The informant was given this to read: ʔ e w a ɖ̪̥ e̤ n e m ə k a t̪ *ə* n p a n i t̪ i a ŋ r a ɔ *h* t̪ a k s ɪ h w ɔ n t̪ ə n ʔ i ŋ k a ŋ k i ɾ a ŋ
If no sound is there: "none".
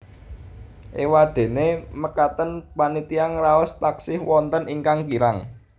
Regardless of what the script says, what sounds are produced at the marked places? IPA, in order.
ə, s

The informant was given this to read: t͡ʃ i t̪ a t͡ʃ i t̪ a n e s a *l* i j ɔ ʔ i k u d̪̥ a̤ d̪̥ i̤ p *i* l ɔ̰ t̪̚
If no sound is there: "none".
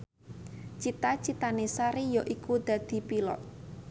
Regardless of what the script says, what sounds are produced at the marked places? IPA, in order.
ɾ, i

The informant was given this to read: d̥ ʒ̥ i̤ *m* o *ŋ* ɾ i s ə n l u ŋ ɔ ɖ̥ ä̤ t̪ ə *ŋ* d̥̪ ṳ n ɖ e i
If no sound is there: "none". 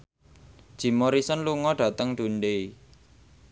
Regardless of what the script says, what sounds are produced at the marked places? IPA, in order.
m, none, ŋ

